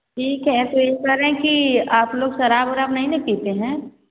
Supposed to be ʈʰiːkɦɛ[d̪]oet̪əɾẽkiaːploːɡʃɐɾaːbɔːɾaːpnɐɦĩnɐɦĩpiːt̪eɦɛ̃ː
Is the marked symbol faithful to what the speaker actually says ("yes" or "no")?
no